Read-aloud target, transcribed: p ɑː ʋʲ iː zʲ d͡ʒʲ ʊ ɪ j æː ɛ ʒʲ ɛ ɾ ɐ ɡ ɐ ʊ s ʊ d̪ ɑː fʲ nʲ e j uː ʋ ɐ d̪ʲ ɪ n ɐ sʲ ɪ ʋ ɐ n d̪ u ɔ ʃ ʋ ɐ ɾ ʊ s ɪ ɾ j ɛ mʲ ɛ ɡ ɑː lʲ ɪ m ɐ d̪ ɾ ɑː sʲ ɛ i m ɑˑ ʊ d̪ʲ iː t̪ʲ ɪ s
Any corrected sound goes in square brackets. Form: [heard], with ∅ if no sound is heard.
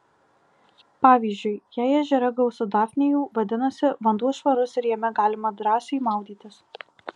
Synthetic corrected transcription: p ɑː ʋʲ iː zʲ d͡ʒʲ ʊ ɪ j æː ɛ ʒʲ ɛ ɾ ɐ ɡ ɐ ʊ s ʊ d̪ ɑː fʲ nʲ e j uː ʋ ɐ d̪ʲ ɪ n ɐ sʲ ɪ ʋ ɐ n d̪ u ɔ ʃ ʋ ɐ ɾ ʊ s ɪ ɾ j ɛ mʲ ɛ ɡ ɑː lʲ ɪ m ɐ d̪ ɾ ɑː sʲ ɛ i m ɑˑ ʊ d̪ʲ iː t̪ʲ ɪ s

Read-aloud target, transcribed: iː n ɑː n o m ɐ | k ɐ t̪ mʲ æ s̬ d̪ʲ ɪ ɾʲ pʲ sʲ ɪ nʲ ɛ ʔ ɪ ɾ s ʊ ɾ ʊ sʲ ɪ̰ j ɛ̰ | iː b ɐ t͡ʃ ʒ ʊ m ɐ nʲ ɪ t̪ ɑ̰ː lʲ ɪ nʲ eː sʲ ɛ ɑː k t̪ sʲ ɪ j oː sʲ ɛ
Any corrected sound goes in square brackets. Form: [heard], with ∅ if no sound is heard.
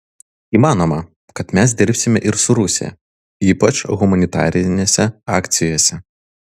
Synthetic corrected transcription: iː [m] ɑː n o m ɐ | k ɐ t̪ mʲ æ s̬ d̪ʲ ɪ ɾʲ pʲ sʲ ɪ [mʲ] ɛ ʔ ɪ ɾ s ʊ ɾ ʊ sʲ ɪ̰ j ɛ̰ | iː [p] ɐ t͡ʃ [ɣ] ʊ m ɐ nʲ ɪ t̪ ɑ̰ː [ɾʲ] ɪ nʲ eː sʲ ɛ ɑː k t̪ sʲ ɪ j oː sʲ ɛ

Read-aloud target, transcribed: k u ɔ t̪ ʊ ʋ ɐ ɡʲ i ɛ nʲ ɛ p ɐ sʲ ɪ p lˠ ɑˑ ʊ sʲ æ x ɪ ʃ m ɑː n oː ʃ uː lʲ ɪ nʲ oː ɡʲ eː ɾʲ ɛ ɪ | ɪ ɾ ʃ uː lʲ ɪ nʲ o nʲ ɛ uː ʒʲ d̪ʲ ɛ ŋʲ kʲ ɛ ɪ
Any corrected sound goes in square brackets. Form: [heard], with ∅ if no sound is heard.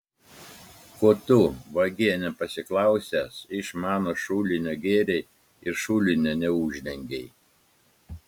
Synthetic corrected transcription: k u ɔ t̪ ʊ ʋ ɐ ɡʲ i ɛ nʲ ɛ p ɐ sʲ ɪ [k] lˠ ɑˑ ʊ sʲ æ [s] ɪ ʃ m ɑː n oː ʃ uː lʲ ɪ nʲ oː ɡʲ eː ɾʲ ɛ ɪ | ɪ ɾ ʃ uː lʲ ɪ nʲ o nʲ ɛ uː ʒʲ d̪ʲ ɛ ŋʲ [ɡʲ] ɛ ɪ

